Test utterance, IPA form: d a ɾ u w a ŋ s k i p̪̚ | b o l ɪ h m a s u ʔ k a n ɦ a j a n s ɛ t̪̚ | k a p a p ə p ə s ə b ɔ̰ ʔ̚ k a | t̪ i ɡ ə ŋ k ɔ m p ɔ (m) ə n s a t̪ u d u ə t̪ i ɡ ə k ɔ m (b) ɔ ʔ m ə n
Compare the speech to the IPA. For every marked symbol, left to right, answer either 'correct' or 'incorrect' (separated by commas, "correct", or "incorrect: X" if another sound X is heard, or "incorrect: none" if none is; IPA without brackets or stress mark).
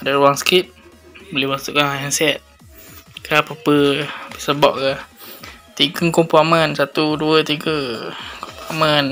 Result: correct, incorrect: p